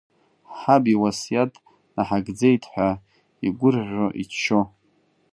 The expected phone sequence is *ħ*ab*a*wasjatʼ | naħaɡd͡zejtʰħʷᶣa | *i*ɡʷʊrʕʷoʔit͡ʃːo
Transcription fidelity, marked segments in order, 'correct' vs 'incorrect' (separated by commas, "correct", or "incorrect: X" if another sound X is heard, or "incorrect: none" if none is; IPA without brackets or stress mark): correct, incorrect: i, correct